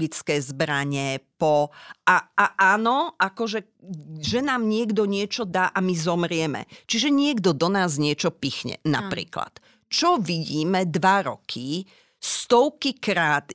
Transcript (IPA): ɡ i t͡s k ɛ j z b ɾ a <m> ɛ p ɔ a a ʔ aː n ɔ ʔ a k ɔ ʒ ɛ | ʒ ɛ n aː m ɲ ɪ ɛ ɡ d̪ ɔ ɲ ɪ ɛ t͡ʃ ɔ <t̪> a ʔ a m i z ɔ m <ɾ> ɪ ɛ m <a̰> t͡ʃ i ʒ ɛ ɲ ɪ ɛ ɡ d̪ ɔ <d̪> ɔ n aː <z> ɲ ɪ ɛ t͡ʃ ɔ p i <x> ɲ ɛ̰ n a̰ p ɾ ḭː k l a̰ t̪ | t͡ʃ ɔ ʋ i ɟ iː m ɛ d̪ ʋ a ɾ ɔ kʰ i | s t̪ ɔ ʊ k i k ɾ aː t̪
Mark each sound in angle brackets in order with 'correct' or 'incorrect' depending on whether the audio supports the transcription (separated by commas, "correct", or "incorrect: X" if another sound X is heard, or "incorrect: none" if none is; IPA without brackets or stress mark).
incorrect: ɲ, incorrect: d̪, correct, incorrect: ɛ̰, correct, correct, correct